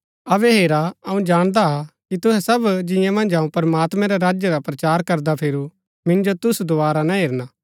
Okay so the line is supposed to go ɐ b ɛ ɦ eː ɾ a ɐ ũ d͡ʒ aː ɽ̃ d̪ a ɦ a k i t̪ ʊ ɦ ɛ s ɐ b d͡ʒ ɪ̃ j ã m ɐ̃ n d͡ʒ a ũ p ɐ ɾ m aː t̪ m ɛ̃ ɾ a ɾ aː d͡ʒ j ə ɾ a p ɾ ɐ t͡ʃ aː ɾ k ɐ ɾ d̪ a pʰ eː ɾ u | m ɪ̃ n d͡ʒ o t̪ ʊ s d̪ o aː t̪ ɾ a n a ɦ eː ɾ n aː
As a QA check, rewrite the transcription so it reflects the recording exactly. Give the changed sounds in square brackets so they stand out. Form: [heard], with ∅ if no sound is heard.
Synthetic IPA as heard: ɐ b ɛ ɦ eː ɾ a ɐ ũ d͡ʒ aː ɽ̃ d̪ a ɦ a k i t̪ ʊ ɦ ɛ s ɐ b d͡ʒ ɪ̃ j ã m ɐ̃ n d͡ʒ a ũ p ɐ ɾ m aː t̪ m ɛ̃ ɾ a ɾ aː d͡ʒ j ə ɾ a p ɾ ɐ t͡ʃ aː ɾ k ɐ ɾ d̪ a pʰ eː ɾ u | m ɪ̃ n d͡ʒ o t̪ ʊ s d̪ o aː [∅] ɾ a n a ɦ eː ɾ n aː